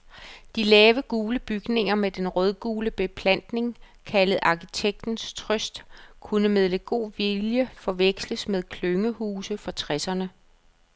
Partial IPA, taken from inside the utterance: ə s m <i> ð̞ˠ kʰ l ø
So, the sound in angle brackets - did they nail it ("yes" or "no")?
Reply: no